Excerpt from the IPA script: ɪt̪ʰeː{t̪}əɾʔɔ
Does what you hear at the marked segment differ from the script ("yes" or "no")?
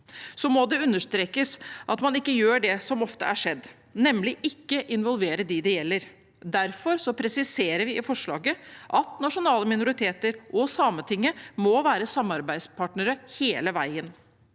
no